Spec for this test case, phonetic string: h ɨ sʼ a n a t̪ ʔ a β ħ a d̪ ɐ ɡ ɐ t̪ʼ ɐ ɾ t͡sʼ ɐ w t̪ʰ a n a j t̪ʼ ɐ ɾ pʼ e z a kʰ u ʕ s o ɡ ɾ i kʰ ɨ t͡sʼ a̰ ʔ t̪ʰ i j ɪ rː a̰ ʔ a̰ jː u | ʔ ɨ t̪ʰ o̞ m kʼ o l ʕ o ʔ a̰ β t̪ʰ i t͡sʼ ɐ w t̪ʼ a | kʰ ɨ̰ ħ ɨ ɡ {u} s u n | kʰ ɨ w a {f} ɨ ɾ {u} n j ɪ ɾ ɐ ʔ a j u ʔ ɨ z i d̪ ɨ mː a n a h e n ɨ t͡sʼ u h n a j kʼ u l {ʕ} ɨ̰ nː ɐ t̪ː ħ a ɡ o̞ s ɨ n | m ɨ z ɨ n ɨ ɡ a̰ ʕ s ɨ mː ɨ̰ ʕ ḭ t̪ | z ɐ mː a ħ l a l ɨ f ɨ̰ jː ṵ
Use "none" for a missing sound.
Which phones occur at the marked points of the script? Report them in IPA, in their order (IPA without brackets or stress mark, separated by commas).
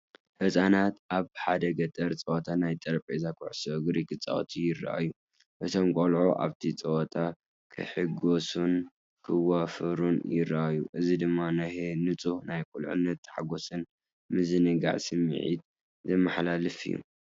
o, f, u, ʕ